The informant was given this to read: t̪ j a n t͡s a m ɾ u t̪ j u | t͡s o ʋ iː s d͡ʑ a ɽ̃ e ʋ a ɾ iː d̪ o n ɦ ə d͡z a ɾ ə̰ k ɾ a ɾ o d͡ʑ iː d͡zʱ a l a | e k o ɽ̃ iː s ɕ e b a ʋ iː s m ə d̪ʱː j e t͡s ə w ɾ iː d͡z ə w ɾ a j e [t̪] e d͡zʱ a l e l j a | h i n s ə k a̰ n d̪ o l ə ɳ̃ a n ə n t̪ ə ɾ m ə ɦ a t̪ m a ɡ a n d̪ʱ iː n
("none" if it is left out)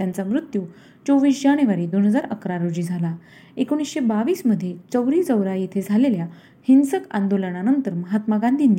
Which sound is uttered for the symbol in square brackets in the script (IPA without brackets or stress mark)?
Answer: t̪ʰ